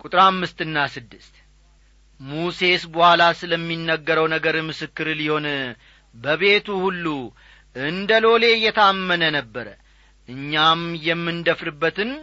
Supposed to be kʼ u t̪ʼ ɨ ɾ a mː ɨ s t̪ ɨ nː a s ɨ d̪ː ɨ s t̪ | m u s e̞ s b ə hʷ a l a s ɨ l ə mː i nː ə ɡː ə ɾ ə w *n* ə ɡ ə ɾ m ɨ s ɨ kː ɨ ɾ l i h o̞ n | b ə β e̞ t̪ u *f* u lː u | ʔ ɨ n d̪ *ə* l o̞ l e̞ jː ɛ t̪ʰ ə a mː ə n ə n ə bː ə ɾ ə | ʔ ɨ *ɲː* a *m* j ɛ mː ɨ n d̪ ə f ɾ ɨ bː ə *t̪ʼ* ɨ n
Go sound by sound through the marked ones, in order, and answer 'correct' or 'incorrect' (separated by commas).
correct, incorrect, correct, correct, correct, incorrect